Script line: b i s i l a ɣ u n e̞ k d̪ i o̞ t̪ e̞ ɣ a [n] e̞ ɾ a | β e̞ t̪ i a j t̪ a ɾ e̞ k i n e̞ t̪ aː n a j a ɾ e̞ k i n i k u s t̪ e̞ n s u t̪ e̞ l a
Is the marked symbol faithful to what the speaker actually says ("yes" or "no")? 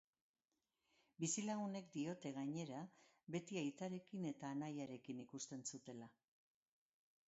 no